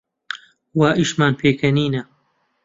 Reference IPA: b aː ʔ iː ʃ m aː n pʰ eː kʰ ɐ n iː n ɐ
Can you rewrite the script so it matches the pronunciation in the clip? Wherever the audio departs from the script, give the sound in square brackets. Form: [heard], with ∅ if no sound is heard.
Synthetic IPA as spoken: [w] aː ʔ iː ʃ m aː n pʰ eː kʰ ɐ n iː n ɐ